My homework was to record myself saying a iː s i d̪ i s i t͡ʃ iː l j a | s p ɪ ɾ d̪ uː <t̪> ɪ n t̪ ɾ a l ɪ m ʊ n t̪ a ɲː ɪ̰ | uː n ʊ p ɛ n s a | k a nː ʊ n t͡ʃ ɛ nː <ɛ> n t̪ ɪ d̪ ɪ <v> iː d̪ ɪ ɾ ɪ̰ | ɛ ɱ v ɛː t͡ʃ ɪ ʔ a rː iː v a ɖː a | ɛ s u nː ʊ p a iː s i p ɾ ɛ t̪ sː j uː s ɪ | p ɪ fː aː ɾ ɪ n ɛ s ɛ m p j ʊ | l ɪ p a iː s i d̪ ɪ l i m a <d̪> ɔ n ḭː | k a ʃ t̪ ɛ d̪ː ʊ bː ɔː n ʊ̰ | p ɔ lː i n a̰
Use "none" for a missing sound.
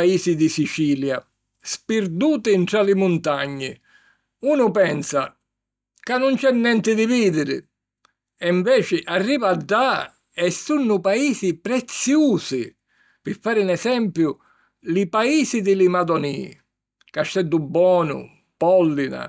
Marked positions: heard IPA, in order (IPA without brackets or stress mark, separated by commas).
t̪, ɛ, v, d̪